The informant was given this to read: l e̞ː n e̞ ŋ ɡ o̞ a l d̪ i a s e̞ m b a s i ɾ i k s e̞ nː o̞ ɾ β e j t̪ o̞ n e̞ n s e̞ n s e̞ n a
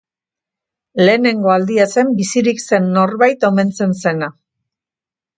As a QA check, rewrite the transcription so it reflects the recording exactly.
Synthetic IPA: l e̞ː n e̞ ŋ ɡ o̞ a l d̪ i a s e̞ m b i s i ɾ i k s e̞ nː o̞ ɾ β a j t̪ o̞ m e̞ n t͡s e̞ n s e̞ n a